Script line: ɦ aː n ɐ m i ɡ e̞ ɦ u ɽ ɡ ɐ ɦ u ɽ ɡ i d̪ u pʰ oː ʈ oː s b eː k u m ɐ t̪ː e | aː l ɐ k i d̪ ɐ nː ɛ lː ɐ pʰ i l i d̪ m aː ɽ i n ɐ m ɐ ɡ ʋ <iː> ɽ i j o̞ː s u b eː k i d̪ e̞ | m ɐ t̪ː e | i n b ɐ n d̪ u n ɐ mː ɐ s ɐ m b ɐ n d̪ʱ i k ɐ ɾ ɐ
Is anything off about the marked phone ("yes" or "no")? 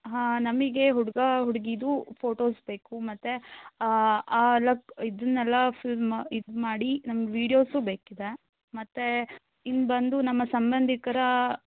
no